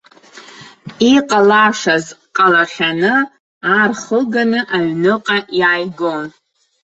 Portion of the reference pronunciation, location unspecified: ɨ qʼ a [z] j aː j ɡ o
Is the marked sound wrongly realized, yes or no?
yes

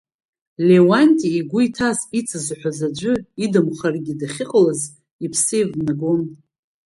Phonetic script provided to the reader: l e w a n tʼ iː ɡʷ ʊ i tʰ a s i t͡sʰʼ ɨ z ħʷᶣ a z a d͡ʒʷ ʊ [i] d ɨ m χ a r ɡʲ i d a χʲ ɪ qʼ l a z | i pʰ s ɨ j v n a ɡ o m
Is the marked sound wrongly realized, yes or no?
no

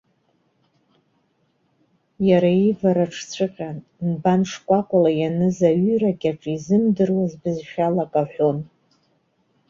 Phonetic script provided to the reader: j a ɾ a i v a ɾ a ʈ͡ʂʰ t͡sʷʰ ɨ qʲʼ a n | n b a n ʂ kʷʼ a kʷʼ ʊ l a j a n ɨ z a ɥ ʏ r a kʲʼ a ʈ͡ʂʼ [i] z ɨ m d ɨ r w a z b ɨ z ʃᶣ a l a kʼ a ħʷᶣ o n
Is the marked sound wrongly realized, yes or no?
no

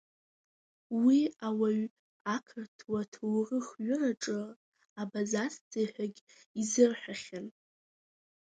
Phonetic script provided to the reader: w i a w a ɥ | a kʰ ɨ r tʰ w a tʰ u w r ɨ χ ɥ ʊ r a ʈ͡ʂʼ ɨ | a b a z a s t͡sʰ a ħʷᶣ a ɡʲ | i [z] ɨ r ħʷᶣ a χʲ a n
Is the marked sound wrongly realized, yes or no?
no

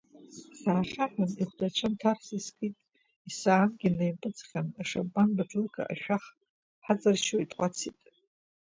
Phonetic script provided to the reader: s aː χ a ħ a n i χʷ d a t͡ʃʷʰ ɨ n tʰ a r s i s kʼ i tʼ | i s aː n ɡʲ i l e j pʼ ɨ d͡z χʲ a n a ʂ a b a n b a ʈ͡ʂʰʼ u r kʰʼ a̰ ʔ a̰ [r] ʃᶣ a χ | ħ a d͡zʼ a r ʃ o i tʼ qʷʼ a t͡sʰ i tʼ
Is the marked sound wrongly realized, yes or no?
yes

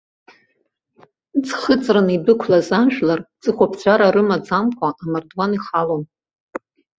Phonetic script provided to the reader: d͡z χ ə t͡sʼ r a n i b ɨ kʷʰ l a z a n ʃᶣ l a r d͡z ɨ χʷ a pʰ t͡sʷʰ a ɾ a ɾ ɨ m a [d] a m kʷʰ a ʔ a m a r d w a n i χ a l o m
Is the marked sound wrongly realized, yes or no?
yes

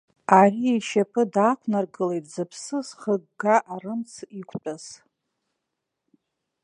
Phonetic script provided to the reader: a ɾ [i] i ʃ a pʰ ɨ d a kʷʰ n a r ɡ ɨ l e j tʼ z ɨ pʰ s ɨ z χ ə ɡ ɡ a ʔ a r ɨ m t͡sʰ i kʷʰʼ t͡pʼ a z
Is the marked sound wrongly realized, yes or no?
no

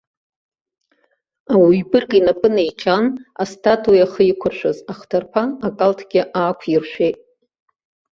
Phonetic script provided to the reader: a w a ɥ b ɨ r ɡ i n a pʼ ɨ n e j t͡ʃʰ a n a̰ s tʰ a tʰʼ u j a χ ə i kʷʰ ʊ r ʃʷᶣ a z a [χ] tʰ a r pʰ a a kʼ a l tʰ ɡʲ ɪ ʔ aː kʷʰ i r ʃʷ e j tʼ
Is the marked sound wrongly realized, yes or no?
no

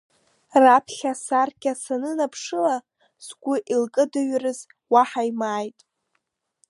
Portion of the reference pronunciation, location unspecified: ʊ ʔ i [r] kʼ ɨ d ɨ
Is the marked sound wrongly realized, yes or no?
yes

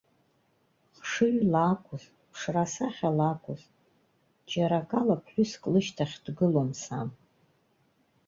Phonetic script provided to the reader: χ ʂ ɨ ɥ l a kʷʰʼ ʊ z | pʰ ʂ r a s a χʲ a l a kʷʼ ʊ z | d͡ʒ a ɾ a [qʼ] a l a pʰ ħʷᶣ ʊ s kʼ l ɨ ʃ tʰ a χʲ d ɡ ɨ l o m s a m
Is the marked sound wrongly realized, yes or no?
yes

